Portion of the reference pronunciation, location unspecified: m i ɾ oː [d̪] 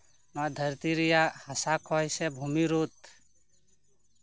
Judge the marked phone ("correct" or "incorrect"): incorrect